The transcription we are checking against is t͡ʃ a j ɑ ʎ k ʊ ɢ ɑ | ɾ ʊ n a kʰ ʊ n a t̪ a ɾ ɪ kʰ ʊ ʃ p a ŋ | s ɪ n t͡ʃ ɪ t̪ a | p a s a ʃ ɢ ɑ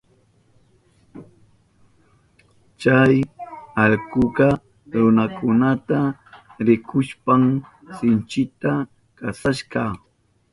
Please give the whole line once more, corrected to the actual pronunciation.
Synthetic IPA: t͡ʃ a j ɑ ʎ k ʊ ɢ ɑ | ɾ ʊ n a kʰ ʊ n a t̪ a ɾ ɪ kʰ ʊ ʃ p a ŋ | s ɪ n t͡ʃ ɪ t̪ a | k a s a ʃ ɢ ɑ